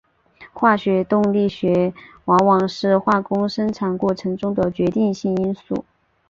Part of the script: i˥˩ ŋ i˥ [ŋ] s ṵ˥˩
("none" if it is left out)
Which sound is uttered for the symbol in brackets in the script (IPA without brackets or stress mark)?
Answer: n